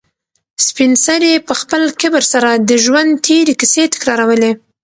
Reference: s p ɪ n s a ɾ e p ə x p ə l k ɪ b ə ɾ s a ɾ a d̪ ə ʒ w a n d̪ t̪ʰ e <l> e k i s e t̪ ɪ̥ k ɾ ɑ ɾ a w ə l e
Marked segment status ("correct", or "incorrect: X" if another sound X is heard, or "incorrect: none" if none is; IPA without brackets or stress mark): incorrect: ɾ